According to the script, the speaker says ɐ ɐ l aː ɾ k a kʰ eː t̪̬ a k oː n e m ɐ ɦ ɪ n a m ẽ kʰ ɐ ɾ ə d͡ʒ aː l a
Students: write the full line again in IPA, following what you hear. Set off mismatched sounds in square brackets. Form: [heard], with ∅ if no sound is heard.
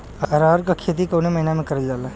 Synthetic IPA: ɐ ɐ [ɾ] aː ɾ k a kʰ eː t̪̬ [i] k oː n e m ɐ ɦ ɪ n a m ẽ [k] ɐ ɾ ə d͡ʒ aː l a